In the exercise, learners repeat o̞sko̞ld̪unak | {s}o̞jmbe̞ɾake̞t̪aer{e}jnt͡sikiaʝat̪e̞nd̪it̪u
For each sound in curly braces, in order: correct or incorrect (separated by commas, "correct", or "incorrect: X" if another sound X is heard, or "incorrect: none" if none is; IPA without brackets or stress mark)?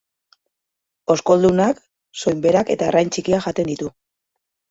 correct, incorrect: a